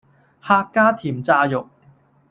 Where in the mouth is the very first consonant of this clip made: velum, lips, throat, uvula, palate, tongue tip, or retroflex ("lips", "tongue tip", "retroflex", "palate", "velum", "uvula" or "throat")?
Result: throat